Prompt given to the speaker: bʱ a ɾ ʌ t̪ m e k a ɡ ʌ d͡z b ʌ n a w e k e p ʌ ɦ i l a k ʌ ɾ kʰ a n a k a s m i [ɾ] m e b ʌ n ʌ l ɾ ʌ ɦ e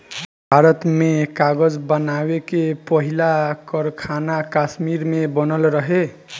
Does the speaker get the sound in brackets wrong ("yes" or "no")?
no